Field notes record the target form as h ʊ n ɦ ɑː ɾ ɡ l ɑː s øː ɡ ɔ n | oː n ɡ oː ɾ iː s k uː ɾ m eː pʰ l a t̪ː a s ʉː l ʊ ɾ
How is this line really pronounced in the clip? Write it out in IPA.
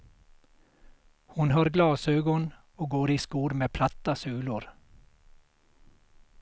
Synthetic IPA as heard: h ʊ n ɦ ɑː ɾ ɡ l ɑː s øː ɡ ɔ n | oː ɡ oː ɾ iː s k uː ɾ m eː pʰ l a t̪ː a s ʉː l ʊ ɾ